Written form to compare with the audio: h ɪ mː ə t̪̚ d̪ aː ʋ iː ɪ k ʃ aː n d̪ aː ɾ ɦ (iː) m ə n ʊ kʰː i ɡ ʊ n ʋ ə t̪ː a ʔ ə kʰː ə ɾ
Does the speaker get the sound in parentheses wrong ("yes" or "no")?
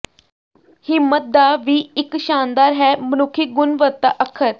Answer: yes